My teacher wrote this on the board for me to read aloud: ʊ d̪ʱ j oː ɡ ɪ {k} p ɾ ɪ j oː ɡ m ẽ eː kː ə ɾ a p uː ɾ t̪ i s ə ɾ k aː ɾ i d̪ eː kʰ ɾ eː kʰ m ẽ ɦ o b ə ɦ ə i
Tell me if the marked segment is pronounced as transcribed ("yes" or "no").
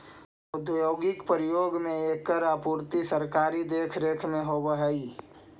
yes